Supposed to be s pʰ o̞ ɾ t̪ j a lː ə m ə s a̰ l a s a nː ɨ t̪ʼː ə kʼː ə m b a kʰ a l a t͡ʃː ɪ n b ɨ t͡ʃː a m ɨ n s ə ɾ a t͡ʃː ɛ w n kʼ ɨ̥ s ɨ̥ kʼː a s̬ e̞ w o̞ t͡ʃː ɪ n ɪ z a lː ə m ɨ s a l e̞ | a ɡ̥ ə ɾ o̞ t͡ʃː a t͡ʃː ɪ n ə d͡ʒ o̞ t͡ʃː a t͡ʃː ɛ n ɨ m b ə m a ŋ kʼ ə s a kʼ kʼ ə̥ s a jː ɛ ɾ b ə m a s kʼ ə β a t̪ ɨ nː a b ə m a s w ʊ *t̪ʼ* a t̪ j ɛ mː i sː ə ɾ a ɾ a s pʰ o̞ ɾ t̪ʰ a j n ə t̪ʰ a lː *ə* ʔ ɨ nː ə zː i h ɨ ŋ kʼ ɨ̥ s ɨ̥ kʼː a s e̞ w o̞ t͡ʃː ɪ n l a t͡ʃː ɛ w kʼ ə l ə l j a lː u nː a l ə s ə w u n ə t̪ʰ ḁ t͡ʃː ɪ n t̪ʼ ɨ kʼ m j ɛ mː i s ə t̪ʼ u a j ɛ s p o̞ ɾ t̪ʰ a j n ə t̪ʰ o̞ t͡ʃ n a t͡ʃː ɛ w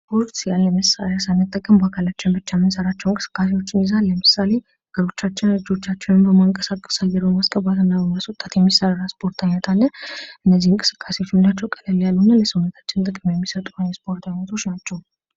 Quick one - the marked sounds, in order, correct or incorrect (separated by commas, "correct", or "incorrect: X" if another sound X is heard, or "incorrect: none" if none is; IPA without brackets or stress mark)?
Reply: correct, correct